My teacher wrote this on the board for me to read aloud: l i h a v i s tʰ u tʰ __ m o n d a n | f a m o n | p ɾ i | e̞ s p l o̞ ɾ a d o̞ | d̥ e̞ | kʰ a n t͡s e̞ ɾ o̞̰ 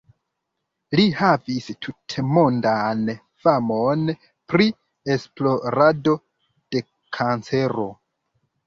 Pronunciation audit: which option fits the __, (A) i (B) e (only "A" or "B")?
B